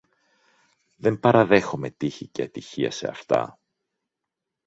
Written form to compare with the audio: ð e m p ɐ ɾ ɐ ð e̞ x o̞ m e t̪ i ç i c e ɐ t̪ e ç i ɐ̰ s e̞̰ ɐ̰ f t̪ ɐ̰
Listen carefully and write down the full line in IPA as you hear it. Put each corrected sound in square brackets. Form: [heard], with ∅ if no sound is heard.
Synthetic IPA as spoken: ð e m p ɐ ɾ ɐ ð e̞ x o̞ m e t̪ i ç i c e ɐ t̪ [i] ç i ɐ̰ s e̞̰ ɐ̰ f t̪ ɐ̰